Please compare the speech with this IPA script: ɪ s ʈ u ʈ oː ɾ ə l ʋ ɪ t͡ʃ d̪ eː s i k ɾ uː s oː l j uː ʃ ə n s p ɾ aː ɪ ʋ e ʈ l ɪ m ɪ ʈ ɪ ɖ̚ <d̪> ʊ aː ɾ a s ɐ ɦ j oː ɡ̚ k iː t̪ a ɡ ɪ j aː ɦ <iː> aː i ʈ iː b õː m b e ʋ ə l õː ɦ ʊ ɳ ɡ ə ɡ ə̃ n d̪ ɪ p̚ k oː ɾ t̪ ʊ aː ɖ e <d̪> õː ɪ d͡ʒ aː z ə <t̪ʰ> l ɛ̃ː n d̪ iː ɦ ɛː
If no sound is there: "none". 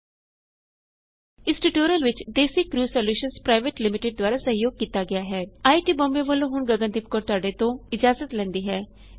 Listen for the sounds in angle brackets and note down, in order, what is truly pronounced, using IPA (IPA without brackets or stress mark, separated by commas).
d̪, ɛː, t̪, t̪